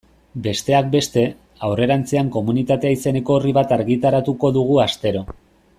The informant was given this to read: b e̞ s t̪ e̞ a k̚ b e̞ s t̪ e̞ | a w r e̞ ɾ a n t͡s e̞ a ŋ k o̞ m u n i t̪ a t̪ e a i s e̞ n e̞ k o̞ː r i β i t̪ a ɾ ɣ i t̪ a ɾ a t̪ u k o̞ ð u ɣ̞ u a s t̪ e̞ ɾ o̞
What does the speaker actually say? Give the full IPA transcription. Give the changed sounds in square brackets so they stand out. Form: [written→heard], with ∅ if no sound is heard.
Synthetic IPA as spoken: b e̞ s t̪ e̞ a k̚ b e̞ s t̪ e̞ | a w r e̞ ɾ a n t͡s e̞ a ŋ k o̞ m u n i t̪ a t̪ e a i s e̞ n e̞ k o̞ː r i β [i→a] t̪ a ɾ ɣ i t̪ a ɾ a t̪ u k o̞ ð u ɣ̞ u a s t̪ e̞ ɾ o̞